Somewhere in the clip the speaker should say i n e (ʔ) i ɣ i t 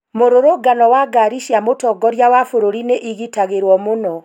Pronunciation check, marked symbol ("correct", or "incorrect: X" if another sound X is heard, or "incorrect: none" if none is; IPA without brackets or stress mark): correct